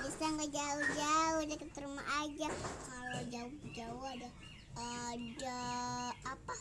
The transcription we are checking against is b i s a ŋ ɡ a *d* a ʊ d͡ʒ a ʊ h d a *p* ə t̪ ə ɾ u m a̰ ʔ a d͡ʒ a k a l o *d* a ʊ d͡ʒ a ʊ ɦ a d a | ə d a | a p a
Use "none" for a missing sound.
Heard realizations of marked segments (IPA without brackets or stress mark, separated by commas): d͡ʒ, k, d͡ʒ